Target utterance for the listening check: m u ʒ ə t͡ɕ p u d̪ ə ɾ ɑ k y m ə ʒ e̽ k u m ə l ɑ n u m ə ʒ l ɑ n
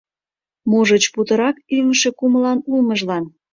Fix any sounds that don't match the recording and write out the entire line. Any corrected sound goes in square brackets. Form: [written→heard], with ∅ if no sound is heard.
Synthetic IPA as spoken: m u ʒ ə t͡ɕ p u [d̪→t̪] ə ɾ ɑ k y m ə [ʒ→ʃ] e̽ k u m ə l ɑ n u m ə ʒ l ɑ n